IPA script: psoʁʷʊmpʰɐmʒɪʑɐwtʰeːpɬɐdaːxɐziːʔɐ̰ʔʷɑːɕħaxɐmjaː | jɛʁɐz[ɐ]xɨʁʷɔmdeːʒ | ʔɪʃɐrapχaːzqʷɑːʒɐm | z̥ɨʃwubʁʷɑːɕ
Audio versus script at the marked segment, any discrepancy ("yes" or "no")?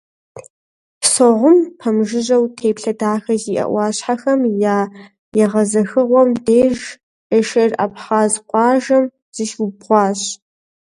no